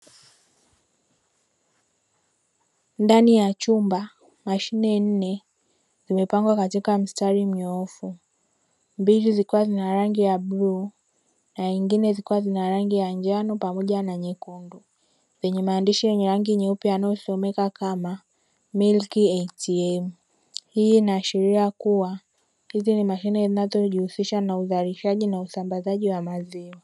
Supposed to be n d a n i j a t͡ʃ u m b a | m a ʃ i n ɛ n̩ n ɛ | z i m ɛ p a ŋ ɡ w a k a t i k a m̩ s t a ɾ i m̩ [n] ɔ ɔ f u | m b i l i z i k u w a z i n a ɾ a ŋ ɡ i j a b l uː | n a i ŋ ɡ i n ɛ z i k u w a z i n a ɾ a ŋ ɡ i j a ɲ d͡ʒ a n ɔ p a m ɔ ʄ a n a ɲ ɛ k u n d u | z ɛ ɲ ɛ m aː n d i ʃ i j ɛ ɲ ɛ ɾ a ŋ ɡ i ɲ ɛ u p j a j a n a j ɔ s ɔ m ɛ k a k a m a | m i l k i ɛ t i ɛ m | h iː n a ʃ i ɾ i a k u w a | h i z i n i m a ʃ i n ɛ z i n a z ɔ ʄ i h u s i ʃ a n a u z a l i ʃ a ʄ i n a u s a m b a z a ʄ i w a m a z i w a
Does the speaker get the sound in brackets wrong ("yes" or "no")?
yes